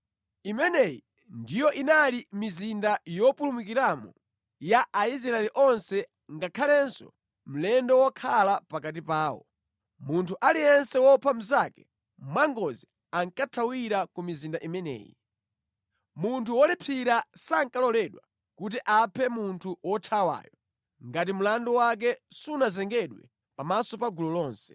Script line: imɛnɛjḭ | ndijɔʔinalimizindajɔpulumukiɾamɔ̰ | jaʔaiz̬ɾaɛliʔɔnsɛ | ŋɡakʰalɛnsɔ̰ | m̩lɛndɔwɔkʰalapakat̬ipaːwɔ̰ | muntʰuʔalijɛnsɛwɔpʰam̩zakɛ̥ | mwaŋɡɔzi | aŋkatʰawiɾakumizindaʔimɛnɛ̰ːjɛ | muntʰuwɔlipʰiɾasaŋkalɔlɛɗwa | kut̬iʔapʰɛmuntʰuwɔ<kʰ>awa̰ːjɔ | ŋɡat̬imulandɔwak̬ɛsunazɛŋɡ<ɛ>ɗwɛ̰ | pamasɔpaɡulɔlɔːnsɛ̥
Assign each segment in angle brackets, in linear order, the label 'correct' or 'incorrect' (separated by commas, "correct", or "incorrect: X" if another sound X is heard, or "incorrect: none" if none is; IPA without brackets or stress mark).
incorrect: tʰ, correct